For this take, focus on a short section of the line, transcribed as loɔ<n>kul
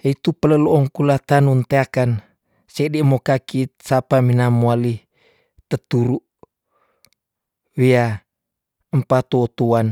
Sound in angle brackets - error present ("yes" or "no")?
yes